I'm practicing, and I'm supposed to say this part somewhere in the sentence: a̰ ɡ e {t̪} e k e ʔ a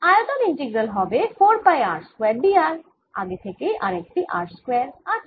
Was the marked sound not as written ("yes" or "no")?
yes